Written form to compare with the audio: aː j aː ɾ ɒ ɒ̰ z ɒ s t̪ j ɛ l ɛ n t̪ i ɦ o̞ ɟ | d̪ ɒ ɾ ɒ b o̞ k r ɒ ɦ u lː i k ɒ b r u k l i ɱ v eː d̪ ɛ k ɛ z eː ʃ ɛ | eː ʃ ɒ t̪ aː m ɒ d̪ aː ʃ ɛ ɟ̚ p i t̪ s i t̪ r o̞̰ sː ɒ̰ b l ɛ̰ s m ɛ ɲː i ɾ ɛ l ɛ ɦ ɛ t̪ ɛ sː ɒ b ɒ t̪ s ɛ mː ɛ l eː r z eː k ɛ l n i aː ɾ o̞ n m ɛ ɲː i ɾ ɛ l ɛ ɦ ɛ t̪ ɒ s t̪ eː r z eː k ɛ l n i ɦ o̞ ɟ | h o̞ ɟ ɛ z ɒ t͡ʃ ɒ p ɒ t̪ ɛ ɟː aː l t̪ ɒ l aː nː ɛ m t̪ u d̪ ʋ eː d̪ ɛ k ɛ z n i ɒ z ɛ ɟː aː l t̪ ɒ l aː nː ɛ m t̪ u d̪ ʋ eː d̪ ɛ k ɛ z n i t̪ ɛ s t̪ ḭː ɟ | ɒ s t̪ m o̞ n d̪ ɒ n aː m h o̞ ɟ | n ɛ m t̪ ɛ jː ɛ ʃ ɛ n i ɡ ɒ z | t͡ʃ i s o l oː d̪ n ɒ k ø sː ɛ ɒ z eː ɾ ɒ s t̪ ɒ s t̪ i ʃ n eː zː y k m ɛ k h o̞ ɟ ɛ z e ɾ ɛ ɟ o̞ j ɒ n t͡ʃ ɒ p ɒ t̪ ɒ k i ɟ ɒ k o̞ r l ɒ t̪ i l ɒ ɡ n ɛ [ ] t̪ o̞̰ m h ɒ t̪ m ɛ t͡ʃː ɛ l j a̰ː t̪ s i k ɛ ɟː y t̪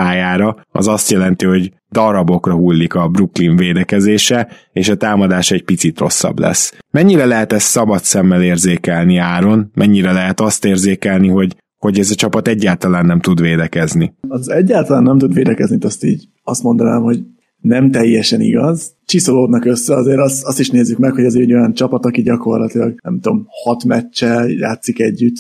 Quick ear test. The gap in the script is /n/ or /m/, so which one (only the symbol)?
m